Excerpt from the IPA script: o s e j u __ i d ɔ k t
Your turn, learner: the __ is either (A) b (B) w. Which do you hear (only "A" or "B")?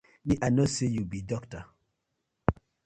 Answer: A